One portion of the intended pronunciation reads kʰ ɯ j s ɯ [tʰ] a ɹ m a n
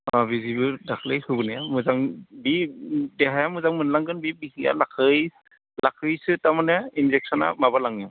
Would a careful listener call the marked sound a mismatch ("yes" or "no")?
yes